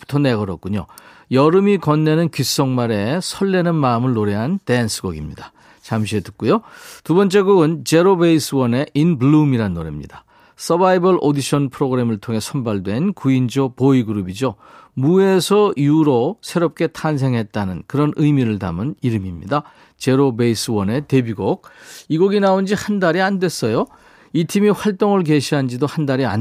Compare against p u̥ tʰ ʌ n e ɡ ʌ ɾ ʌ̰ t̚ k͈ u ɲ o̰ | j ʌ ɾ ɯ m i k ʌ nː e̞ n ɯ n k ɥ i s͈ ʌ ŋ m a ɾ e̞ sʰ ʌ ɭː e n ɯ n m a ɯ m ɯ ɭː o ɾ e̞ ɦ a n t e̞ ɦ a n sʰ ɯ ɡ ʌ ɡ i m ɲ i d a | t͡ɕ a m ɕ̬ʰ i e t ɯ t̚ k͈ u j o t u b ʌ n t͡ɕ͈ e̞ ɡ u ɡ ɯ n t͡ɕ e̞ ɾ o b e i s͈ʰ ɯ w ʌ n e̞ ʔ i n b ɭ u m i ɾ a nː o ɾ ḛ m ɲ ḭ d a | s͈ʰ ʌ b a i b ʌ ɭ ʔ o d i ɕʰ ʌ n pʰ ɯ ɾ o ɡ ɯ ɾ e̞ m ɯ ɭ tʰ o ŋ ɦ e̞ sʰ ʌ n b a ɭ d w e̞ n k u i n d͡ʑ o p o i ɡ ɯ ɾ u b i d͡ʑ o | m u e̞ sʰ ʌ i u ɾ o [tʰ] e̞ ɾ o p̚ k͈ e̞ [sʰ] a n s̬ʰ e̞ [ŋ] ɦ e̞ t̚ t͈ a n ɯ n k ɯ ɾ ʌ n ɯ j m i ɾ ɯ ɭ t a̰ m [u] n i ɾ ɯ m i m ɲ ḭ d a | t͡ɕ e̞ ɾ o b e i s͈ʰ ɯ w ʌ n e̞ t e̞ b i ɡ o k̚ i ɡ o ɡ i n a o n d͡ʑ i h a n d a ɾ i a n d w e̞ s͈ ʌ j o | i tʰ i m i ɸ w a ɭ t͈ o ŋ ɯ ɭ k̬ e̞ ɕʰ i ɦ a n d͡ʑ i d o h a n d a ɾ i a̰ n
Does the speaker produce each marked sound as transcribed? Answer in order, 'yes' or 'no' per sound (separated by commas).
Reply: no, no, yes, no